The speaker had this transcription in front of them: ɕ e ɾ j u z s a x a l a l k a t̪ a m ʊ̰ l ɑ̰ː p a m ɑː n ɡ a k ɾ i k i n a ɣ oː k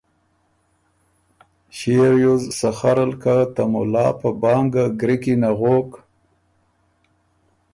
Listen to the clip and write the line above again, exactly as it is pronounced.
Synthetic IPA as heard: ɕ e ɾ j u z s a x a ɾ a l k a t̪ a m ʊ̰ l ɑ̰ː p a b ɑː ŋ ɡ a ɡ ɾ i k i n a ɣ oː k